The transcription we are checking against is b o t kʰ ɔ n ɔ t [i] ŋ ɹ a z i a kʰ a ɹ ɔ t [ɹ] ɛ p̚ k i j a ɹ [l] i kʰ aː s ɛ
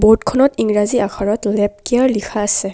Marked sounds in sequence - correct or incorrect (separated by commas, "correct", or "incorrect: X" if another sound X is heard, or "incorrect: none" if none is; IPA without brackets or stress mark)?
correct, incorrect: l, correct